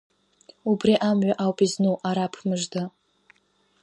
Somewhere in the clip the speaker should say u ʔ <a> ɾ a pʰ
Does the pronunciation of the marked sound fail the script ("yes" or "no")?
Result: no